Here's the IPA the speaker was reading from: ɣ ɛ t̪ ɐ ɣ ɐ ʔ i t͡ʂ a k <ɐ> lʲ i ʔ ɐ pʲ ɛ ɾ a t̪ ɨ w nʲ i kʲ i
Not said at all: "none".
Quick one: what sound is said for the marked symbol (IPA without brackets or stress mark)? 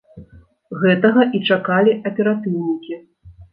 a